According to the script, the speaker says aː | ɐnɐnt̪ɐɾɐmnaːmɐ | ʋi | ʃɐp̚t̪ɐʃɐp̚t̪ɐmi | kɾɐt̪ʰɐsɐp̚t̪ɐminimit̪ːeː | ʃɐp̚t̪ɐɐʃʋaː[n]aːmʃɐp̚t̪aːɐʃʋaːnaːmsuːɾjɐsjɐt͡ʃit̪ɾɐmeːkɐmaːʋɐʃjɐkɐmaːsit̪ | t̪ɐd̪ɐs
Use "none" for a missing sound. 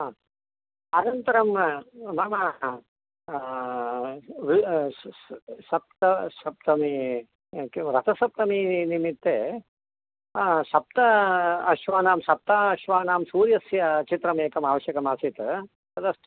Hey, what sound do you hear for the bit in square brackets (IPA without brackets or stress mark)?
n